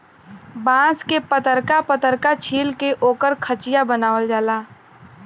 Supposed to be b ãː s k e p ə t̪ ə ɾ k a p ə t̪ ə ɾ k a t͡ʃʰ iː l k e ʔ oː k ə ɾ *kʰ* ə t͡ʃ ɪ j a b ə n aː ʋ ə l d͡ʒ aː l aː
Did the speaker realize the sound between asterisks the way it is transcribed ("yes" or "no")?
yes